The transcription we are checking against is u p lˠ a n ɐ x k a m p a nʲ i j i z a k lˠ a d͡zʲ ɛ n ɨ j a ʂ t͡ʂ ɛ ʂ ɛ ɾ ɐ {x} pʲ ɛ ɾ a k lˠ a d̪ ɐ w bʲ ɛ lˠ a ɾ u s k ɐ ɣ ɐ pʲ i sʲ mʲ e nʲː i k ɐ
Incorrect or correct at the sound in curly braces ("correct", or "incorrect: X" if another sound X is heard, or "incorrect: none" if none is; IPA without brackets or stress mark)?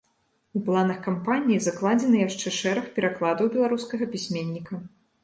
correct